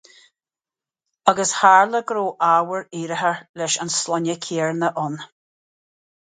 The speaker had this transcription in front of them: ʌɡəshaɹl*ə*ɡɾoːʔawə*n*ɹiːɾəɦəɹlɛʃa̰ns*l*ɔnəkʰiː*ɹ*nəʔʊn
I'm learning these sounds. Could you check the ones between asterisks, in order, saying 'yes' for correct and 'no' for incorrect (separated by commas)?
yes, no, yes, yes